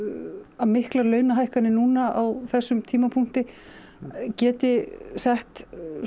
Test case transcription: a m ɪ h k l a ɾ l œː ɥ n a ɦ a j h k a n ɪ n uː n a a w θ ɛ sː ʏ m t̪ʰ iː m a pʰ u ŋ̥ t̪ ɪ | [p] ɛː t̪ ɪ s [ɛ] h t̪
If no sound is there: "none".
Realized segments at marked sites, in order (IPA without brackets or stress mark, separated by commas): c, ɛ